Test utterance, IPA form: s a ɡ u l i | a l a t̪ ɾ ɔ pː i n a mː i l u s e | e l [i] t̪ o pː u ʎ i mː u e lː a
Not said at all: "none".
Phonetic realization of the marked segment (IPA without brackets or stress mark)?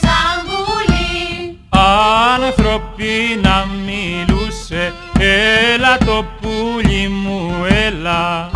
a